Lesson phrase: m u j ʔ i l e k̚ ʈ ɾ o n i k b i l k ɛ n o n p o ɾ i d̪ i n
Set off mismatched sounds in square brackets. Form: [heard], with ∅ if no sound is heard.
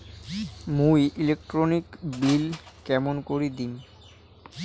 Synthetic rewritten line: m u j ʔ i l e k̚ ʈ ɾ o n i k b i l k ɛ [m] o n [k] o ɾ i d̪ i n